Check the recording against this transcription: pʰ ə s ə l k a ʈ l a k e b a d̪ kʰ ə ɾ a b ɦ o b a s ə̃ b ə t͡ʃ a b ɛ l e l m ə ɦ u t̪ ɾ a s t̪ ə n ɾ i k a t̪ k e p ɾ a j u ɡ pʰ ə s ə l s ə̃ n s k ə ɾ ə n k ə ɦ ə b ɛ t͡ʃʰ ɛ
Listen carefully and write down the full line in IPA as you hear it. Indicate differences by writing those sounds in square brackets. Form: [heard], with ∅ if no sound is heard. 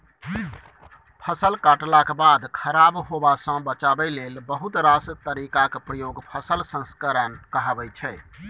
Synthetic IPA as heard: pʰ ə s ə l k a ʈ l a k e b a d̪ kʰ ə ɾ a b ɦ o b a s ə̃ b ə t͡ʃ a b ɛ l e l [b] ə ɦ u t̪ ɾ a s t̪ ə [∅] ɾ i k a [∅] k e p ɾ [ə] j [o] ɡ pʰ ə s ə l s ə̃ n s k ə ɾ ə n k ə ɦ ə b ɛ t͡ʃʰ ɛ